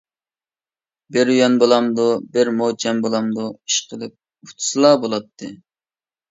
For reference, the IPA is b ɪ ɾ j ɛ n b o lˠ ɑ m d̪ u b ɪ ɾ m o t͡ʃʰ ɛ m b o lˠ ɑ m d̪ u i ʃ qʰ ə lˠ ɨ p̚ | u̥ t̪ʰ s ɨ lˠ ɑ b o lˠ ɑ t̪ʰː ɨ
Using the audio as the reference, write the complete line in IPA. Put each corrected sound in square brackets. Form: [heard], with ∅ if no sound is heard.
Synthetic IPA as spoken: b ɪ ɾ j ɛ n b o lˠ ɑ m d̪ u b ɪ ɾ m o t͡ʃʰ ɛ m b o lˠ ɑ m d̪ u i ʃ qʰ ə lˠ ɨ p̚ | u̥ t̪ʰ s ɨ lˠ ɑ b o lˠ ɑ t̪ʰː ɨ